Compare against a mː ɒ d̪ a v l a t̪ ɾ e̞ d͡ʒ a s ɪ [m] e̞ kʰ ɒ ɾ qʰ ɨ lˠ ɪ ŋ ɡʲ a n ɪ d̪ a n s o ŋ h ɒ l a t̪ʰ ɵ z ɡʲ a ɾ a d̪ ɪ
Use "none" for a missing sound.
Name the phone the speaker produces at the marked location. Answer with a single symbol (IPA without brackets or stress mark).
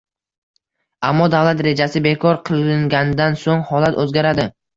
b